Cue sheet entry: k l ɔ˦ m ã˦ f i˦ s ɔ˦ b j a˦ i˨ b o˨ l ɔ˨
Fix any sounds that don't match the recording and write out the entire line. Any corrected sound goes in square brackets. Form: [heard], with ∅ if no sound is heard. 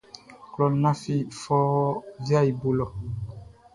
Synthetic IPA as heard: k l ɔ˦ [n] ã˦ f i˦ [f] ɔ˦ [v] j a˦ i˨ b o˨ l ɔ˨